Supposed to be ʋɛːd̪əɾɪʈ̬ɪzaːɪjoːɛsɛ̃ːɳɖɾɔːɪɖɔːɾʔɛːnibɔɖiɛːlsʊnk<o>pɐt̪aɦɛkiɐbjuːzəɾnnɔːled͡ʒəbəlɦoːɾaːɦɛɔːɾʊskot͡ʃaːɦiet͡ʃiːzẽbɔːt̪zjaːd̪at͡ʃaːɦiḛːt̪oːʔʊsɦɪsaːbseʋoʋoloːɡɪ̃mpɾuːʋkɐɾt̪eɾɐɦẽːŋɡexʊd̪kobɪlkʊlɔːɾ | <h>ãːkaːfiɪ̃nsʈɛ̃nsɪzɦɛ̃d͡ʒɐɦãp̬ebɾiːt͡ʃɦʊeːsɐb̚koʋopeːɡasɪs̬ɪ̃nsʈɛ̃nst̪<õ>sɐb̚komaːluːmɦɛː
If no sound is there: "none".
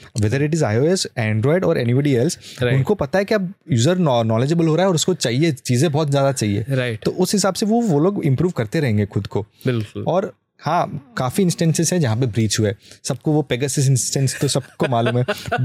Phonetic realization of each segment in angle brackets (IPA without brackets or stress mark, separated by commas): o, h, o